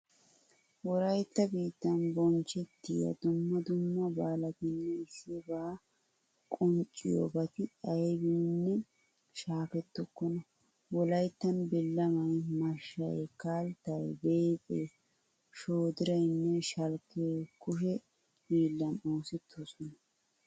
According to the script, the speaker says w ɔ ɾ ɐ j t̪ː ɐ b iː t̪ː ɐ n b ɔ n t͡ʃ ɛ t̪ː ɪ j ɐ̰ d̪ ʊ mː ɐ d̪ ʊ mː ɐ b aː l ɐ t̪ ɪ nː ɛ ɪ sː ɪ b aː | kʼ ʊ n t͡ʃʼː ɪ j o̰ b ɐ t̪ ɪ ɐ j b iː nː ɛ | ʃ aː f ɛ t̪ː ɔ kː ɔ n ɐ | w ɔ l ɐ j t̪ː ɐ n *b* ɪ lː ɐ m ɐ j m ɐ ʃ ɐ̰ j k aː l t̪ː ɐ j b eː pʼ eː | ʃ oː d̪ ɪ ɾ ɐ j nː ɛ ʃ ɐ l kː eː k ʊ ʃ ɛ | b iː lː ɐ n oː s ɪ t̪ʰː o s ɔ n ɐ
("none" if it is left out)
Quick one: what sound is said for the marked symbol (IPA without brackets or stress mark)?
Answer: b